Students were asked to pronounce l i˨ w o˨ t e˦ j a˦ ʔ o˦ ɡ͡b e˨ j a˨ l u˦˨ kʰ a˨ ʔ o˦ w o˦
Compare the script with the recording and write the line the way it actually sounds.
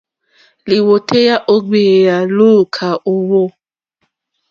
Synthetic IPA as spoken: l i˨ w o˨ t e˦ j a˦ ʔ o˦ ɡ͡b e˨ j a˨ l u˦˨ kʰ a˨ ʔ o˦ w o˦